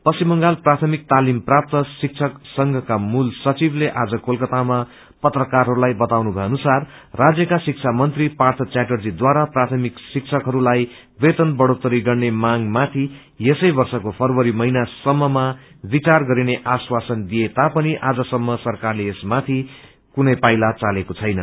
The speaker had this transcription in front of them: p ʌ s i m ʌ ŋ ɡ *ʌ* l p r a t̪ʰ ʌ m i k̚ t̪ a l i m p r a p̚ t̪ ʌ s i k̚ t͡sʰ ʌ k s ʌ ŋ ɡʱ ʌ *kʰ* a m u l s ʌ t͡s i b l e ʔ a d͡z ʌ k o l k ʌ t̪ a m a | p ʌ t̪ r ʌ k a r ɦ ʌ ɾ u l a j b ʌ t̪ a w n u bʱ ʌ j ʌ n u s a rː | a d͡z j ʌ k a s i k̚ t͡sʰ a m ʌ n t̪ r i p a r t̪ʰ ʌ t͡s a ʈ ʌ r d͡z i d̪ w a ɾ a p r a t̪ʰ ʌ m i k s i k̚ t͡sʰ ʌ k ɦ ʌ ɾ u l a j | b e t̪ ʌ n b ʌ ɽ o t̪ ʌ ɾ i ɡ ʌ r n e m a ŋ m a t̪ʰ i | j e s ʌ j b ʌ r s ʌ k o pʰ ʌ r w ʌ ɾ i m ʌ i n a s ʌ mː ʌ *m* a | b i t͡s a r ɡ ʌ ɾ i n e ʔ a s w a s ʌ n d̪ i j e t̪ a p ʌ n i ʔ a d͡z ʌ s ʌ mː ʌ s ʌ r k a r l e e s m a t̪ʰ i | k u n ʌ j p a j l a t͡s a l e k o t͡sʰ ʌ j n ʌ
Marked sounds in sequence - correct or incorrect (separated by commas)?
incorrect, incorrect, correct